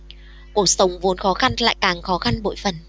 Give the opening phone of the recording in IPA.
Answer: k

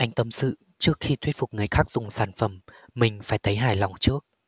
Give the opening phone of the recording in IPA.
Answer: ʔ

